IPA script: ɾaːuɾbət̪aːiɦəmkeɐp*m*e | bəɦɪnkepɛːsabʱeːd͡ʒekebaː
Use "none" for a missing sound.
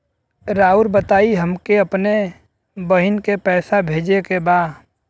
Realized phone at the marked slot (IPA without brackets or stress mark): n